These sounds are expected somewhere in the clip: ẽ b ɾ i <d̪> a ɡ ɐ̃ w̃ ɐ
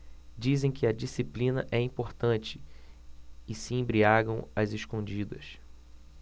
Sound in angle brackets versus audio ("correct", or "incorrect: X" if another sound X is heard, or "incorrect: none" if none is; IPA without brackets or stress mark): incorrect: none